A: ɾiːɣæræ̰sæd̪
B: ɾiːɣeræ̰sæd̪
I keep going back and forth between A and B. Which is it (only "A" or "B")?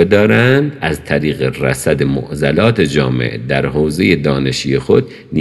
B